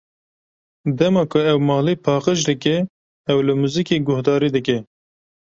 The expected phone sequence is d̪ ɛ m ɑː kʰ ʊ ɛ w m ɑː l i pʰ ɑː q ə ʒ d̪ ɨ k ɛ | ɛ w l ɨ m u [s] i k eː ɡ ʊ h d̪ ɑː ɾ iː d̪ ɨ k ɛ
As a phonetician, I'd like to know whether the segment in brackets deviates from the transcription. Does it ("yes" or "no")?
yes